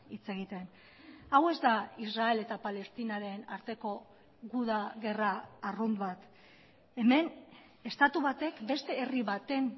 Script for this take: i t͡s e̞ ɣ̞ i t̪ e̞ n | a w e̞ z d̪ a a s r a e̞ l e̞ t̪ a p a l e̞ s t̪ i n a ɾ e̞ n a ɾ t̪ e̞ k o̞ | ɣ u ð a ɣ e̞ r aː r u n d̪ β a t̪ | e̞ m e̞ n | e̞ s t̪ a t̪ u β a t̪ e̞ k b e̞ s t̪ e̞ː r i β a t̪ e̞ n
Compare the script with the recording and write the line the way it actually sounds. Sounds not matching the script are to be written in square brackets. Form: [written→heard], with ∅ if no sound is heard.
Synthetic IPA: i t͡s e̞ ɣ̞ i t̪ e̞ n | a w e̞ z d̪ a [a→i] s r a e̞ l e̞ t̪ a p a l e̞ s t̪ i n a ɾ e̞ n a ɾ t̪ e̞ k o̞ | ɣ u ð a ɣ e̞ r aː r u n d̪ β a t̪ | e̞ m e̞ n | e̞ s t̪ a t̪ u β a t̪ e̞ k b e̞ s t̪ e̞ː r i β a t̪ e̞ n